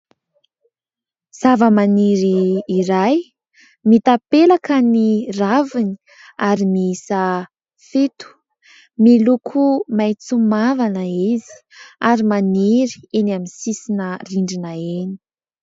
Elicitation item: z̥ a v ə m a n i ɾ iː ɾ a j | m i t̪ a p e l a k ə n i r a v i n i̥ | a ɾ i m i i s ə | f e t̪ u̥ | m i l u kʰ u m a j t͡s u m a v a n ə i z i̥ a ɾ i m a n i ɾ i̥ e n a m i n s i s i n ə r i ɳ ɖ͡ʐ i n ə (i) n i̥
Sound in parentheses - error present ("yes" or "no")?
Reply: yes